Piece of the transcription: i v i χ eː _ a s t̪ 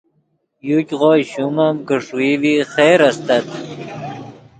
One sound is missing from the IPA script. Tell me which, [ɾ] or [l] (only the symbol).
ɾ